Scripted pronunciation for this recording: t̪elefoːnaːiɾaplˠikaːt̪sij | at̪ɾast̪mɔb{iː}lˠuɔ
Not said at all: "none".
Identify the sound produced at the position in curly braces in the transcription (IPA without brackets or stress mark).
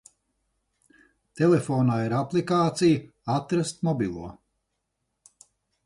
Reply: i